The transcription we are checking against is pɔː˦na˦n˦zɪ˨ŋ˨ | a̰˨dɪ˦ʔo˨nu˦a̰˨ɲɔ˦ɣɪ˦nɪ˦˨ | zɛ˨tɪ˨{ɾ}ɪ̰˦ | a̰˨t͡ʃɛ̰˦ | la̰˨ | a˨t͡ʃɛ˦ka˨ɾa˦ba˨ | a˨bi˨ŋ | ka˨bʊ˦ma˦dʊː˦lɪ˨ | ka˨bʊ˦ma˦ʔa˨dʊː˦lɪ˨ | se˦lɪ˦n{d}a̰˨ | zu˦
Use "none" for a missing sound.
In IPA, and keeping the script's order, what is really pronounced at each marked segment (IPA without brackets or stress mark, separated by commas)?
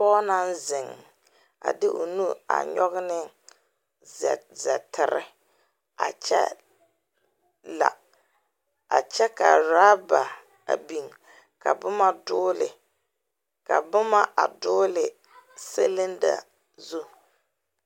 ɾ, d